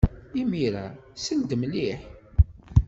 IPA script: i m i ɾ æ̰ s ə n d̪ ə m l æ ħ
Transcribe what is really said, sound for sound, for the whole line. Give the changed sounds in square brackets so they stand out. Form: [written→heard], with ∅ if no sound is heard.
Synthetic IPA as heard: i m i ɾ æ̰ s ə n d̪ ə m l [æ→i] ħ